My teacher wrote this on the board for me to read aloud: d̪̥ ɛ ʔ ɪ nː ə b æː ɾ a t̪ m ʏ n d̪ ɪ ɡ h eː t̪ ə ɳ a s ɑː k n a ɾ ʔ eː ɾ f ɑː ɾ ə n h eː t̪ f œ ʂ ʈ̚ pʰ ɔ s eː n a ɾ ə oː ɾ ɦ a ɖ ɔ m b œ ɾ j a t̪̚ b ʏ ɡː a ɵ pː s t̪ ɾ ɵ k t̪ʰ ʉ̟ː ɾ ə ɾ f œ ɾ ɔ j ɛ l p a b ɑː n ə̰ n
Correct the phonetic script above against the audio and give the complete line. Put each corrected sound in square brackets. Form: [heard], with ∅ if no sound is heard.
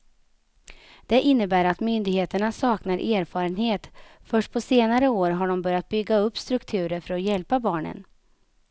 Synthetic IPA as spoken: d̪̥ ɛ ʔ ɪ nː ə b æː ɾ a t̪ m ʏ n d̪ ɪ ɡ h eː t̪ ə ɳ a s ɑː k n a ɾ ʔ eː ɾ f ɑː ɾ ə n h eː t̪ f œ ʂ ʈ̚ pʰ ɔ s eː n a ɾ ə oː ɾ ɦ a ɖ ɔ m b œ ɾ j a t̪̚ b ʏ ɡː a ɵ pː s t̪ ɾ ɵ k t̪ʰ ʉ̟ː ɾ ə ɾ f œ ɾ ɔ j ɛ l p a b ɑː [ɳ] ə̰ n

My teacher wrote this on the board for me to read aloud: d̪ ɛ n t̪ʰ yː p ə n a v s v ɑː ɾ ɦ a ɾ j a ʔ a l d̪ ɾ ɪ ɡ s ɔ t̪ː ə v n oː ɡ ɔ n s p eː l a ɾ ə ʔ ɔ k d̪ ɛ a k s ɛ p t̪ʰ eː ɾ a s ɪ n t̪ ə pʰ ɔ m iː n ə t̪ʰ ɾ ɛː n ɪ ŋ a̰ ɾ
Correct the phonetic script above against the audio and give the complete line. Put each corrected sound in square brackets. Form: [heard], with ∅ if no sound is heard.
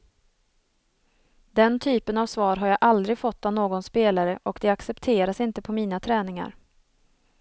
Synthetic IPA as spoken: d̪ ɛ n t̪ʰ yː p ə n a v s v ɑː ɾ ɦ a ɾ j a ʔ a l d̪ ɾ ɪ ɡ [f] ɔ t̪ː [a] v n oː ɡ ɔ n s p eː l a ɾ ə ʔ ɔ k d̪ ɛ a k s ɛ p t̪ʰ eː ɾ a s ɪ n t̪ ə pʰ ɔ m iː n [a] t̪ʰ ɾ ɛː n ɪ ŋ a̰ ɾ

